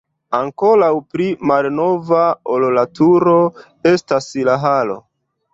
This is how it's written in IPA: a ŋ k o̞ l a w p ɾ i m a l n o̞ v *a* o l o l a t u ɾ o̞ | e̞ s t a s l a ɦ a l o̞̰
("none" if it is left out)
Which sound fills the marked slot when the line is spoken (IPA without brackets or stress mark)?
a